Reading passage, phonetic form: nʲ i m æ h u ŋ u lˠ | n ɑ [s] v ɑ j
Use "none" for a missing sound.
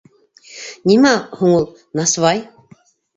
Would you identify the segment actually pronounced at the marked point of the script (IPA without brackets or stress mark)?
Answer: s